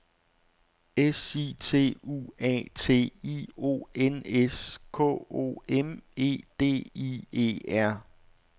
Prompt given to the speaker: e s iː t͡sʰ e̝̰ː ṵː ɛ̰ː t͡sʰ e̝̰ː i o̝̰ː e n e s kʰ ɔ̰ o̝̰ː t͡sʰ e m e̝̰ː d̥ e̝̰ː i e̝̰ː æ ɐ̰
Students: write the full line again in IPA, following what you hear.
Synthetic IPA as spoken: e s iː t͡sʰ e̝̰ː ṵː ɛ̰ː t͡sʰ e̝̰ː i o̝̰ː e n e s kʰ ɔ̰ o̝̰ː e m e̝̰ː d̥ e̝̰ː i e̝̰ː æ ɐ̰